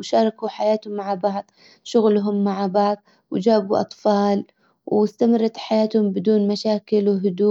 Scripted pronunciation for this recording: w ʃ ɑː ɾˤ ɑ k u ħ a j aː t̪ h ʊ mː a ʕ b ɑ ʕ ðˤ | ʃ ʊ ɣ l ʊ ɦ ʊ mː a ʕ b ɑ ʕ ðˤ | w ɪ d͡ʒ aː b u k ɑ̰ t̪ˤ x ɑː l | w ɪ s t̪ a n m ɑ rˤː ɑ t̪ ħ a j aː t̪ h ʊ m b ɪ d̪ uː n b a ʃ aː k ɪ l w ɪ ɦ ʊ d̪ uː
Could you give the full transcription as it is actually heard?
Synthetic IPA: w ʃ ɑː ɾˤ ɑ k u ħ a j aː t̪ h ʊ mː a ʕ b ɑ ʕ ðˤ | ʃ ʊ ɣ l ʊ ɦ ʊ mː a ʕ b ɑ ʕ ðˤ | w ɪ d͡ʒ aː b u ʔ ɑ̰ t̪ˤ f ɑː l | w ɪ s t̪ a m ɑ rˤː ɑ t̪ ħ a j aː t̪ h ʊ m b ɪ d̪ uː n m a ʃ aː k ɪ l w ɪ ɦ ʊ d̪ uː

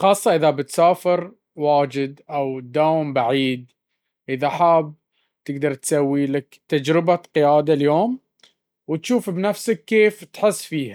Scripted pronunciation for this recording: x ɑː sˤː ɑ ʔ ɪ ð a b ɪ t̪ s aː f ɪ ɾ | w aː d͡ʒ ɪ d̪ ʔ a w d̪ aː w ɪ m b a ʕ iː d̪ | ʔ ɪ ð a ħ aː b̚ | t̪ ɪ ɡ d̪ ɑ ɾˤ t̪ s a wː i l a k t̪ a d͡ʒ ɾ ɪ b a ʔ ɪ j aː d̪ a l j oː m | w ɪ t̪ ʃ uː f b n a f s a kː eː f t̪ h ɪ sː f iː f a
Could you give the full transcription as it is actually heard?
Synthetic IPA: x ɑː sˤː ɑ ʔ ɪ ð a b ɪ t̪ s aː f ɪ ɾ | w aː d͡ʒ ɪ d̪ ʔ a w d̪ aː w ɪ m b a ʕ iː d̪ | ʔ ɪ ð a ħ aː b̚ | t̪ ɪ ɡ d̪ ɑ ɾˤ t̪ s a wː i l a k t̪ a d͡ʒ ɾ ɪ b a q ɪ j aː d̪ a l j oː m | w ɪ t̪ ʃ uː f b n a f s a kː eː f t̪ ħ ɪ sː f iː h a

